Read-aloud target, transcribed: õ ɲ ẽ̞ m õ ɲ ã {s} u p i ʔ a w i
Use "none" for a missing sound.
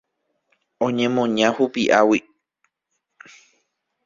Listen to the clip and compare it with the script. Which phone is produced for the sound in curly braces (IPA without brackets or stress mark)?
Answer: h